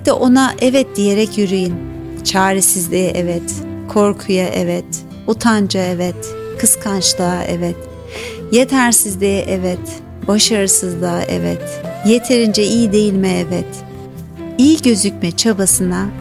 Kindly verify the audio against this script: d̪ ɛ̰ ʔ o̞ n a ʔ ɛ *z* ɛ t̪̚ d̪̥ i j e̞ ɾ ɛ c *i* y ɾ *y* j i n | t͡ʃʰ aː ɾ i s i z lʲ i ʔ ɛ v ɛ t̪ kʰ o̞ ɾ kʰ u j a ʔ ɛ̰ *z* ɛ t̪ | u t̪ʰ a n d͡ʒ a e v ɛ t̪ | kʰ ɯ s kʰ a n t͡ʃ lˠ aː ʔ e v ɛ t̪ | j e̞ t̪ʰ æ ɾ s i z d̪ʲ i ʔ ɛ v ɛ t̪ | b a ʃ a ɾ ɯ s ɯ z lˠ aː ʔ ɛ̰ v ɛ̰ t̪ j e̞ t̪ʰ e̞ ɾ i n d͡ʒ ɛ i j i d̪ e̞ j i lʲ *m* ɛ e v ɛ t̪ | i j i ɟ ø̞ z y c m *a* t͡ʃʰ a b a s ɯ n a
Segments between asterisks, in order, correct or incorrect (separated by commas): incorrect, incorrect, correct, incorrect, correct, incorrect